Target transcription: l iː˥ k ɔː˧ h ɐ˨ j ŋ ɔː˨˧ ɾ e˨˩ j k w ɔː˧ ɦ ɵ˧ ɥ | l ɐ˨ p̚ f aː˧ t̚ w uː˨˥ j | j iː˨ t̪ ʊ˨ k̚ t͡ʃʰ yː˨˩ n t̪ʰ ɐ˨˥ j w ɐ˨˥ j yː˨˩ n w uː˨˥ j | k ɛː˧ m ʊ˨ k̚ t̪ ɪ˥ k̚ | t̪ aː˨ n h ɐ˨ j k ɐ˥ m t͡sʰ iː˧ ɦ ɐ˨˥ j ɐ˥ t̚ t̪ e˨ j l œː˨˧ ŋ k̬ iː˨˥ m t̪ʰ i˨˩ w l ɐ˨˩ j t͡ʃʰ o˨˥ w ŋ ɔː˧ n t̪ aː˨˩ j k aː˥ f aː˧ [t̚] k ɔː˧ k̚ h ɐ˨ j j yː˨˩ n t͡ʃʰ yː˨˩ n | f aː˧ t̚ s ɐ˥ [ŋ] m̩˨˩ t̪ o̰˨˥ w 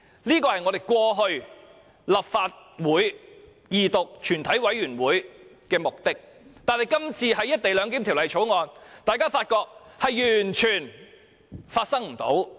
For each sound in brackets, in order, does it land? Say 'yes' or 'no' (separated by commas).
yes, yes